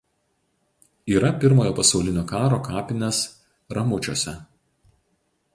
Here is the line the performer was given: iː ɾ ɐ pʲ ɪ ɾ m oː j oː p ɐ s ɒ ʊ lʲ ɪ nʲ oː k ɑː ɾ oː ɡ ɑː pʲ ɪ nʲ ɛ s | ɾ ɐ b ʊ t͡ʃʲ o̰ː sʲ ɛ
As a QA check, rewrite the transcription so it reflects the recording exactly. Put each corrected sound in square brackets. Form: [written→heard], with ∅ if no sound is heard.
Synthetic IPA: iː ɾ ɐ pʲ ɪ ɾ m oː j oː p ɐ s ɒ ʊ lʲ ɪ nʲ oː k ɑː ɾ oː [ɡ→k] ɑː pʲ ɪ nʲ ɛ s | ɾ ɐ [b→m] ʊ t͡ʃʲ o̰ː sʲ ɛ